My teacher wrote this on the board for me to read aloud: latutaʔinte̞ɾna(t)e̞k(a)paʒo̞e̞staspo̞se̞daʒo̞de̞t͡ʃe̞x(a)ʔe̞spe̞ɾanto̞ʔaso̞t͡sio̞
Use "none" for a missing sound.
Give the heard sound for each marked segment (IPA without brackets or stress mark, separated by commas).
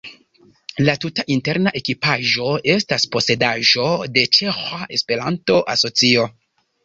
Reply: ʔ, i, a